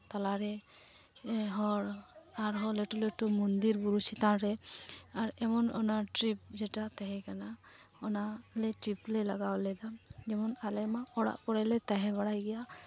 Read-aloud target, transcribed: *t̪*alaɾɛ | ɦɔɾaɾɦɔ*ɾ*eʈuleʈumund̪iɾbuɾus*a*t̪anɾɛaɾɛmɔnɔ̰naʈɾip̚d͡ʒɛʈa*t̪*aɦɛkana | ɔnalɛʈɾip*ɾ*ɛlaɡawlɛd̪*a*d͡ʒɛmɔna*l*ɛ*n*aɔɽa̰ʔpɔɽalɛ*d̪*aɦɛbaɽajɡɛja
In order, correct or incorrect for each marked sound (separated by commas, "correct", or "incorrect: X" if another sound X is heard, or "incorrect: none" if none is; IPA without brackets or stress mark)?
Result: correct, incorrect: l, incorrect: i, correct, incorrect: l, correct, correct, incorrect: m, incorrect: t̪